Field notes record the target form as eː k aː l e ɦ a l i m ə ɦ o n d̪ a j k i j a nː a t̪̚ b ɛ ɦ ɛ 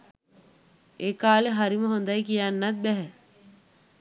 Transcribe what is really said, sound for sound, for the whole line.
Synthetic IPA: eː k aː l e ɦ a ɾ i m ə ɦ o n d̪ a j k i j a nː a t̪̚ b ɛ ɦ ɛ